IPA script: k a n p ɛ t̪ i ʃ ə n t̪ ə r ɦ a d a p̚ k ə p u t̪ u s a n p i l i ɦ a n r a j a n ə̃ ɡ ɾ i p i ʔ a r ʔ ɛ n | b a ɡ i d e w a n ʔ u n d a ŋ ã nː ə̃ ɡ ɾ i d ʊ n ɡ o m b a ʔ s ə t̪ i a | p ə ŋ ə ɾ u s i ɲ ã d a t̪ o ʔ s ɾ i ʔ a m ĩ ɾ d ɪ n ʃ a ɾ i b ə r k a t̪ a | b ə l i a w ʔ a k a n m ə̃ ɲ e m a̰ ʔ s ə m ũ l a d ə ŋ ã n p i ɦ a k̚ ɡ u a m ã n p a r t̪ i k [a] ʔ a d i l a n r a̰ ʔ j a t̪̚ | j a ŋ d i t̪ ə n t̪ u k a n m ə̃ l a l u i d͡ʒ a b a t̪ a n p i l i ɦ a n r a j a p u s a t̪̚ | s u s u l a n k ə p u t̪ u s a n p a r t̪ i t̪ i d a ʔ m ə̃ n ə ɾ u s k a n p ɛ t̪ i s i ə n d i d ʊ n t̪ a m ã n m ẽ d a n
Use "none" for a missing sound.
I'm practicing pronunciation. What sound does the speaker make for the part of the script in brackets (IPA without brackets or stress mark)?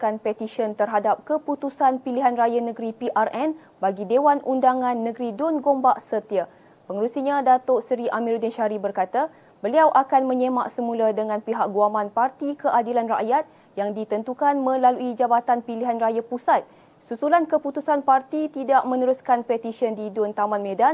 ə